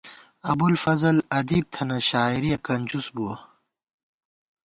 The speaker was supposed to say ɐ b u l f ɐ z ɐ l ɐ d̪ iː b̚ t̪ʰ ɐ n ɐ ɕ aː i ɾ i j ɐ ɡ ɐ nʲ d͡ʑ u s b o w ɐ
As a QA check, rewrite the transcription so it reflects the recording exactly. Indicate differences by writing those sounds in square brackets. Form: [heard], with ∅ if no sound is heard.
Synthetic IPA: ɐ b u l f ɐ z ɐ l ɐ d̪ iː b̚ t̪ʰ ɐ n ɐ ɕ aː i ɾ i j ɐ [k] ɐ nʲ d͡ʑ u s b [u] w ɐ